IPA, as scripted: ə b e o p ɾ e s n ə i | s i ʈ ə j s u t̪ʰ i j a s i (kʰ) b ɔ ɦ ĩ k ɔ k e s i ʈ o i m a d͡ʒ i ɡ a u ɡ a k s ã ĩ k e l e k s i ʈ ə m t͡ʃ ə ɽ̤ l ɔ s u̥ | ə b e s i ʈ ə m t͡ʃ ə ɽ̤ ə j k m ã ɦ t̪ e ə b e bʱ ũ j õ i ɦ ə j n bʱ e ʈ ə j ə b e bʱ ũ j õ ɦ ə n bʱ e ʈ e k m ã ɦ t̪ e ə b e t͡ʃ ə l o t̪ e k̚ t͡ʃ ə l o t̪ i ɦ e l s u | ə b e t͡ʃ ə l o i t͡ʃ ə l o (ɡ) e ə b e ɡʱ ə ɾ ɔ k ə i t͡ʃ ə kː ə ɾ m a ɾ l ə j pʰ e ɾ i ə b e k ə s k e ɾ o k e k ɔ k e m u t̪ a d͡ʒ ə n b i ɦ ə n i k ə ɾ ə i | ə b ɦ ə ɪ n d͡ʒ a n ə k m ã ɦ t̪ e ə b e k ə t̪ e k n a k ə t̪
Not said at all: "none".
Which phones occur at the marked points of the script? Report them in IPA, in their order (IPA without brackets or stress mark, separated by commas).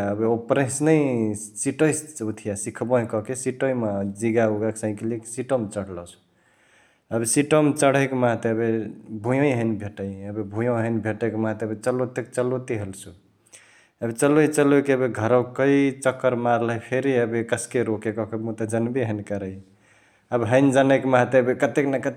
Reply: kʰ, k